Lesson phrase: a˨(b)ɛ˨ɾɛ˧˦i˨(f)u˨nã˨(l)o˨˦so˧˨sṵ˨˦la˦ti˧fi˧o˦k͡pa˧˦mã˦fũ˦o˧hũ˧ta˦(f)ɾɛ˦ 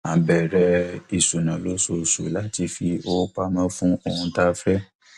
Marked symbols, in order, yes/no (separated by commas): yes, no, yes, yes